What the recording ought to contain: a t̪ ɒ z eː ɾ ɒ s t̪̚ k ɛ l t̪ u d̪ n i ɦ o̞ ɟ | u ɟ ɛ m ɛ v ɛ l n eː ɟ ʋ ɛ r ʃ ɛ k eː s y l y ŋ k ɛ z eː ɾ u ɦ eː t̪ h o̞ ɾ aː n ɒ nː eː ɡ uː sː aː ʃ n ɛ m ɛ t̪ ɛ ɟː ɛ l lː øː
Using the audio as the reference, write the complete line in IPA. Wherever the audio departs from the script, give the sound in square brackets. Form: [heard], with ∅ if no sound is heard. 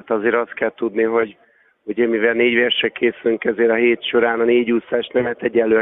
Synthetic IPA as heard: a t̪ ɒ z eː ɾ ɒ s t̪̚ k ɛ l t̪ u d̪ n i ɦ o̞ ɟ | u ɟ ɛ m [i] v ɛ l n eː ɟ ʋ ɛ r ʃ ɛ k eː s y l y ŋ k ɛ z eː ɾ [ɒ] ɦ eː t̪ [ʃ] o̞ ɾ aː n ɒ [n] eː [ɟ] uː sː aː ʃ n ɛ m ɛ t̪ ɛ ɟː ɛ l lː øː